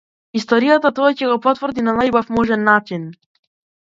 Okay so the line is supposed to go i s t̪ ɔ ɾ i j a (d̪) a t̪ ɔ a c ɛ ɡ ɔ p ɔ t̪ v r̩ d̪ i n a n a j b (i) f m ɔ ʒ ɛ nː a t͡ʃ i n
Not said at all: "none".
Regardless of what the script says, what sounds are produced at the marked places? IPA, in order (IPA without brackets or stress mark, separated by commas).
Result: t̪, a